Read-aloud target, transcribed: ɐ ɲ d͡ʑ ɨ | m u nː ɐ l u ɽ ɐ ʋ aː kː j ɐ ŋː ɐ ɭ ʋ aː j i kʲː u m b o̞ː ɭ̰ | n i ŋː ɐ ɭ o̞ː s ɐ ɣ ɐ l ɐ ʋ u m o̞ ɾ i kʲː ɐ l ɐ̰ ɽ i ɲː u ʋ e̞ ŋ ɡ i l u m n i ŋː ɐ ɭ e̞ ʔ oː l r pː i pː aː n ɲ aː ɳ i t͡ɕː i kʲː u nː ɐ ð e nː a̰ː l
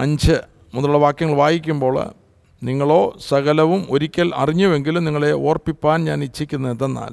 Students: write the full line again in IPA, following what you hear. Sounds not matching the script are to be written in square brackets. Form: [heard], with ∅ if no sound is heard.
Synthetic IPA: ɐ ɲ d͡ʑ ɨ | m u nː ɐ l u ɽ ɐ ʋ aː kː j ɐ ŋː ɐ ɭ ʋ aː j i kʲː u m b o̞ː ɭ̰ | n i ŋː ɐ ɭ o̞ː s ɐ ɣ ɐ l ɐ ʋ u m o̞ ɾ i kʲː ɐ l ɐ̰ [r] i ɲː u ʋ e̞ ŋ ɡ i l u m n i ŋː ɐ ɭ e̞ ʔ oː [∅] r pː i pː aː n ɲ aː [n] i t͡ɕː i kʲː u nː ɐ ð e nː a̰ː l